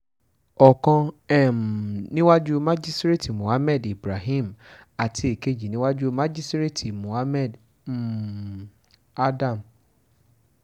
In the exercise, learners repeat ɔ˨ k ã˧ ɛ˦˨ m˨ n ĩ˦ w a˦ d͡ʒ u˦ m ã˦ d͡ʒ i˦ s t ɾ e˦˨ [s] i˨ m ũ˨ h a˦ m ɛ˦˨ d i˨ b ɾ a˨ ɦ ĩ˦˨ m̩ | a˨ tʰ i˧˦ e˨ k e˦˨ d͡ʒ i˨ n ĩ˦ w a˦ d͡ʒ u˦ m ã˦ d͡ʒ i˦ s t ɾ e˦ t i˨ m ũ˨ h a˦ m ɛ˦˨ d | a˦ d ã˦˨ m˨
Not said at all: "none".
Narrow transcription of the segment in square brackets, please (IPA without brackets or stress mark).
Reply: t